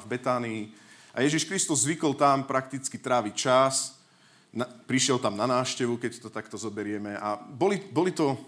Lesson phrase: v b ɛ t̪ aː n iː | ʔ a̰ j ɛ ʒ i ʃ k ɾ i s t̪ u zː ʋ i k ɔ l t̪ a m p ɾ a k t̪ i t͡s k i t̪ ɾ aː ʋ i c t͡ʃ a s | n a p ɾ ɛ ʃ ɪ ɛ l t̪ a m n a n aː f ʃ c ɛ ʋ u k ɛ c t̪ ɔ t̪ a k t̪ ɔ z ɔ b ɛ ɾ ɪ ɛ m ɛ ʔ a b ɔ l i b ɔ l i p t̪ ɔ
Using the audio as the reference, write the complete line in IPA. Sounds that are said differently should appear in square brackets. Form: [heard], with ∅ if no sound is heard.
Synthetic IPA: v b ɛ t̪ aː n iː | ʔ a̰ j ɛ ʒ i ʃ k ɾ i s t̪ u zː ʋ i k ɔ l t̪ a m p ɾ a k t̪ i t͡s k i t̪ ɾ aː ʋ i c t͡ʃ a s | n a p ɾ [i] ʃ ɪ ɛ l t̪ a m n a n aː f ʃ c ɛ ʋ u k ɛ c t̪ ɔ t̪ a k t̪ ɔ z ɔ b ɛ ɾ ɪ ɛ m ɛ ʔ a b ɔ l i b ɔ l i [∅] t̪ ɔ